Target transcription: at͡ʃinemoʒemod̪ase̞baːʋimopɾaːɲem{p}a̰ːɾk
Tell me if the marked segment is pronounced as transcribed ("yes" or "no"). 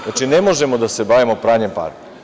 yes